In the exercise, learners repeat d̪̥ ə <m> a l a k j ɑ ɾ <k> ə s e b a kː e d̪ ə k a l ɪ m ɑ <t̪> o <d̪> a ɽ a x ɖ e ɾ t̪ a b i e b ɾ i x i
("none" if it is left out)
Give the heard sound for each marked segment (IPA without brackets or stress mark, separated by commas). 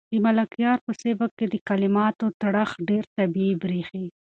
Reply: m, p, t̪, t̪